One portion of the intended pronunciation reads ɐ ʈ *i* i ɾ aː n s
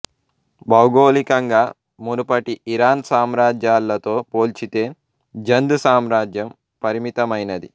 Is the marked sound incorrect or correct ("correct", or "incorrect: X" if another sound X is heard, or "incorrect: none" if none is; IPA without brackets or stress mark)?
correct